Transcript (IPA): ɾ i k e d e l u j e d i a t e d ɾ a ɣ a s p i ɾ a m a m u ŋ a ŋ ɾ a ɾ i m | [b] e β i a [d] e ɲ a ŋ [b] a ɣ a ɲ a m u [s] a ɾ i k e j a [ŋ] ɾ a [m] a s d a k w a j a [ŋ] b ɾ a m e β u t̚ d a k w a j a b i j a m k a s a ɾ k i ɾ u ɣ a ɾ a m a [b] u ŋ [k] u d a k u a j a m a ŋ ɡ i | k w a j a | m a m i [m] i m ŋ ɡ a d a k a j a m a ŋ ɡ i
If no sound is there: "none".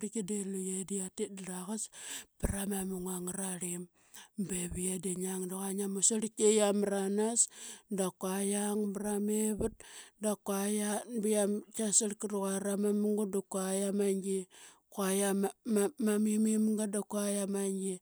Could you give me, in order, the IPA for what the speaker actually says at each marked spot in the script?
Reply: b, d, d, s, m, n, ŋ, m, ɡ, m

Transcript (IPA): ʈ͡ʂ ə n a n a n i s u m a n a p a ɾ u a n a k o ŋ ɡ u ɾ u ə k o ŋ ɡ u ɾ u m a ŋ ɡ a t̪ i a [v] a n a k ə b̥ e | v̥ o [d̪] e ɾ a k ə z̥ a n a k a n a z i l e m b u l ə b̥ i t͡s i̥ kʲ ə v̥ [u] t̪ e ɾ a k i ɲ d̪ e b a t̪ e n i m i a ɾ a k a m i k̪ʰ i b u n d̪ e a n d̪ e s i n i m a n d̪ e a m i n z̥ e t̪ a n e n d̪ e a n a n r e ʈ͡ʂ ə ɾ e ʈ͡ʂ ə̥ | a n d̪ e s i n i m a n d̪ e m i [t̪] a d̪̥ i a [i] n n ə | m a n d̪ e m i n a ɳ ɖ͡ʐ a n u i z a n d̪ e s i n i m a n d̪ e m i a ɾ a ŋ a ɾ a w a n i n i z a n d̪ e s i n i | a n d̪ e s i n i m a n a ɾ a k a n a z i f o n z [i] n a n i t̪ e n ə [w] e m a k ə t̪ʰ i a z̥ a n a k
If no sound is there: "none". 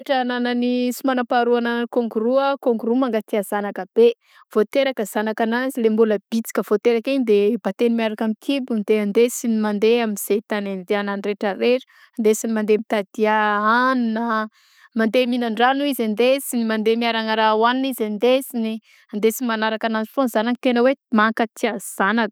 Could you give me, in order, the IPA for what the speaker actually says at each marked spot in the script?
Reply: z, t̪, o, t̪, a, a, w

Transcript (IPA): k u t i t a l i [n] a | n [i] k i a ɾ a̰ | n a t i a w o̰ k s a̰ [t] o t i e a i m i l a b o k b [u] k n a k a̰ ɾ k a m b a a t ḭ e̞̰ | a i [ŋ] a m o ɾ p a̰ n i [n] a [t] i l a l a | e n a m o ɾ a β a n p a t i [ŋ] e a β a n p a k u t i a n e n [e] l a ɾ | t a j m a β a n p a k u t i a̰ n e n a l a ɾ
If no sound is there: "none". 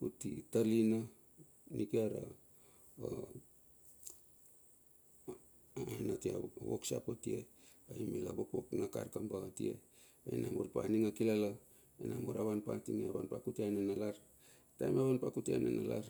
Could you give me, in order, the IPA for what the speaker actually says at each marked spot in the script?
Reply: n, i, p, o, n, ŋ, k, ŋ, a

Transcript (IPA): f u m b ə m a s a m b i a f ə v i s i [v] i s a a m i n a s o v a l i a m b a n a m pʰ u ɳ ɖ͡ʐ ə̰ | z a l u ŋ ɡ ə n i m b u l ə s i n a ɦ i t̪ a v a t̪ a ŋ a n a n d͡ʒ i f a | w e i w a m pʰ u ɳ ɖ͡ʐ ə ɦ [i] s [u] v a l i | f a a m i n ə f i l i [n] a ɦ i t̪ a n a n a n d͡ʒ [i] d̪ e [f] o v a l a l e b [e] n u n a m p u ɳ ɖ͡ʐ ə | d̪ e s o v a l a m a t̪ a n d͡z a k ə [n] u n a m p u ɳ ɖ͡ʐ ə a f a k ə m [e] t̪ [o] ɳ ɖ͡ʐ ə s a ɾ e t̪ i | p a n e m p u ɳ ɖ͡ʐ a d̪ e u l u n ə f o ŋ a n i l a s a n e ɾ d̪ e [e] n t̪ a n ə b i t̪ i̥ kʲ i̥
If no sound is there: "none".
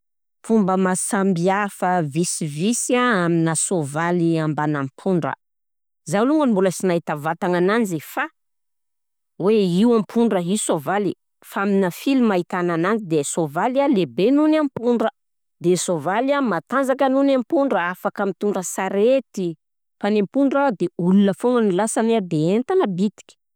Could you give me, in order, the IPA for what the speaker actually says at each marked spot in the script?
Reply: v, i, o, m, i, s, e, n, i, u, e

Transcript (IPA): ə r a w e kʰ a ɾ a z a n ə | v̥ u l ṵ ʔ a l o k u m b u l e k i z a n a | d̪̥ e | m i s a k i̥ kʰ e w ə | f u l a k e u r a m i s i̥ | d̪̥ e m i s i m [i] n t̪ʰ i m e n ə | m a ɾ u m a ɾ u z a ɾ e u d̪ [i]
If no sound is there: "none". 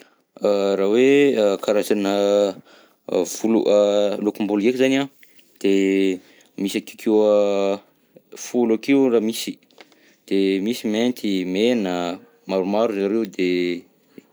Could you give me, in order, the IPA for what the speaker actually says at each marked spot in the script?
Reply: e, e

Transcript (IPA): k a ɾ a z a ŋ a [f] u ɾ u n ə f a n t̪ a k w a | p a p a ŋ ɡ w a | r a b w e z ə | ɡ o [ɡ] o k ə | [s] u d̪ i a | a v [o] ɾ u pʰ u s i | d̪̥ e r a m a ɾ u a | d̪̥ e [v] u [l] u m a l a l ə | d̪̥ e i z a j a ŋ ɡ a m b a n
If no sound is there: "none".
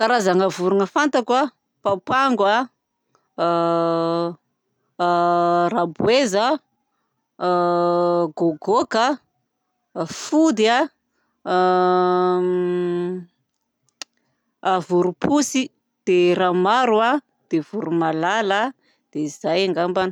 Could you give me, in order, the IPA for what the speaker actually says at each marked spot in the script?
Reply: v, ɡ, f, u, v, ɾ

